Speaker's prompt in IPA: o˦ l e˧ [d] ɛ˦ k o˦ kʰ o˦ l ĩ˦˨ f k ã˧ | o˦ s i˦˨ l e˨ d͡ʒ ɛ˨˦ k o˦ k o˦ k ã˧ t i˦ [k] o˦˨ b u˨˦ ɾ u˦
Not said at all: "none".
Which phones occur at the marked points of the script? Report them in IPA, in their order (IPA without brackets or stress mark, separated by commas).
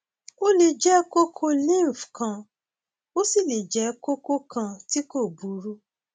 d͡ʒ, k